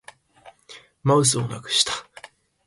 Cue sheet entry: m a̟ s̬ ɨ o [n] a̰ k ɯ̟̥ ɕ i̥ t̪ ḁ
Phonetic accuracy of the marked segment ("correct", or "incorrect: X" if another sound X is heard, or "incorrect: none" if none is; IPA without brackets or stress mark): correct